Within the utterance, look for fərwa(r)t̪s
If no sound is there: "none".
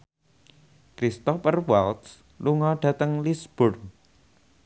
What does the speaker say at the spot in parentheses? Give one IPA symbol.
l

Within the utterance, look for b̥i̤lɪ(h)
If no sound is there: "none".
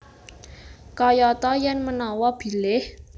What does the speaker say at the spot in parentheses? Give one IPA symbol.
h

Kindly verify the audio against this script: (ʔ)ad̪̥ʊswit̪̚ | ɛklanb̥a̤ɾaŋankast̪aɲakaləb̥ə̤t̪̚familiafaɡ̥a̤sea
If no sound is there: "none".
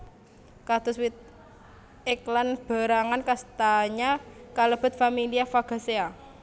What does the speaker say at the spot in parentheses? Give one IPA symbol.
k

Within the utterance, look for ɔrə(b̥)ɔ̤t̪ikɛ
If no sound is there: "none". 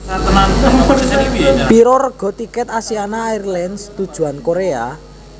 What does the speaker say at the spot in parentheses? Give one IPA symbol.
ɡ̥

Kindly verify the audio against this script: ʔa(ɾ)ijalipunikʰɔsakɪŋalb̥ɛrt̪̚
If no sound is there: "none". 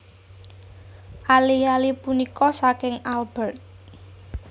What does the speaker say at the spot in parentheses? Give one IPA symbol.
l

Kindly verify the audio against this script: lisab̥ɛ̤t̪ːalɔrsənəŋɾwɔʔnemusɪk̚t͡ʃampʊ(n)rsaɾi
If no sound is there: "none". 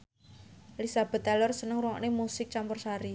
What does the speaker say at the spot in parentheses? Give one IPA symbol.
none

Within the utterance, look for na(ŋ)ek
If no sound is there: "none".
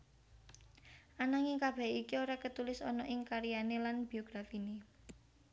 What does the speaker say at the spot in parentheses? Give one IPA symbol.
ŋ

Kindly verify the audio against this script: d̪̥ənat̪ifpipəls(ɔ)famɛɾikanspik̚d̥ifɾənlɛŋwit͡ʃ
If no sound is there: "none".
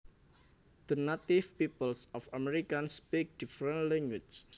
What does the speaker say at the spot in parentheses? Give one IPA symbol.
ɔ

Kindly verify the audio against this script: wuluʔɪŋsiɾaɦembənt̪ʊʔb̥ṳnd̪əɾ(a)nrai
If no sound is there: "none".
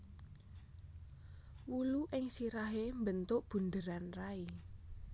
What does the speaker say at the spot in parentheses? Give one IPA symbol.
a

